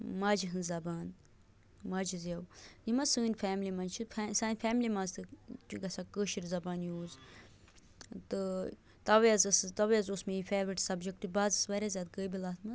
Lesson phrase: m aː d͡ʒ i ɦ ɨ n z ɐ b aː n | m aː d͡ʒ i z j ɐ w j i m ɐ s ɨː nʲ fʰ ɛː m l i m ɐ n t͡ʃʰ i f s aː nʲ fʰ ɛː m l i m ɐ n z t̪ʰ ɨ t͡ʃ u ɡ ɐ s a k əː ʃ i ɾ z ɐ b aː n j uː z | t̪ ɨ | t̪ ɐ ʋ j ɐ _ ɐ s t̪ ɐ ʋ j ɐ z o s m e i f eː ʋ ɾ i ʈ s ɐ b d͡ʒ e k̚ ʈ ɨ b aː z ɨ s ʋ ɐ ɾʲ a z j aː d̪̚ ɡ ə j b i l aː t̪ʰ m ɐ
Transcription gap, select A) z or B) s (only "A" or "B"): A